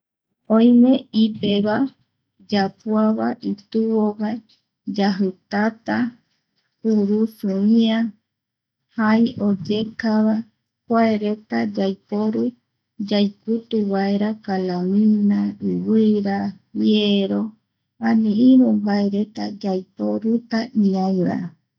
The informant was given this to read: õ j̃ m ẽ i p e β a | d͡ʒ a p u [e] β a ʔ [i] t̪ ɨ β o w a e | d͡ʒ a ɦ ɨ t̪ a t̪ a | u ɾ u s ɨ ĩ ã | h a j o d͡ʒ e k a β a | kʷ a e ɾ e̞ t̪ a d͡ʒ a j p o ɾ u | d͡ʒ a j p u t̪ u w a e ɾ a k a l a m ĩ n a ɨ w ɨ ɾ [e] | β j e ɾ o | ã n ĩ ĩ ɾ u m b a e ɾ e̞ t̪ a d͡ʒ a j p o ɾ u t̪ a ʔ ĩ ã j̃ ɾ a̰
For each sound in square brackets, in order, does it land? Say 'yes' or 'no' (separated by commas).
no, yes, no